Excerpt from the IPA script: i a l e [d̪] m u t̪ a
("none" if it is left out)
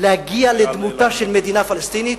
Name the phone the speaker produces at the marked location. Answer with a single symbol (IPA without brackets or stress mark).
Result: d̪